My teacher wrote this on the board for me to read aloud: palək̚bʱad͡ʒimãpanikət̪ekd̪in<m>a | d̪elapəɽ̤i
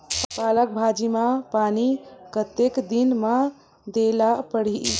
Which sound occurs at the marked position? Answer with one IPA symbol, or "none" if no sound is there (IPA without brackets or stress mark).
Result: m